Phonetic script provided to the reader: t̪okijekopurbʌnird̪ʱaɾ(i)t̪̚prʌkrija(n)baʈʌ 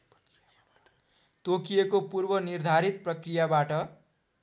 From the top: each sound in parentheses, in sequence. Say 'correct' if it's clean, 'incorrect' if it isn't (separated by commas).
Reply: correct, incorrect